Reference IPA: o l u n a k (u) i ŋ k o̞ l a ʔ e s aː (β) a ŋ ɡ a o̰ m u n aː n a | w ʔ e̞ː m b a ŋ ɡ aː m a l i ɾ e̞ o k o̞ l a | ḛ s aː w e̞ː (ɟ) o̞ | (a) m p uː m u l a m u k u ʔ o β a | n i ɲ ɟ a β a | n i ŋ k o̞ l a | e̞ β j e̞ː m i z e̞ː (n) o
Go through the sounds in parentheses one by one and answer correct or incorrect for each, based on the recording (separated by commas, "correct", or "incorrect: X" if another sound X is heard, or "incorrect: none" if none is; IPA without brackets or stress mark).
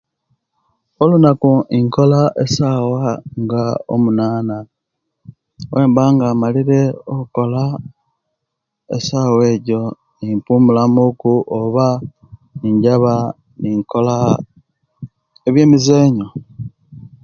correct, incorrect: w, correct, incorrect: i, incorrect: ɲ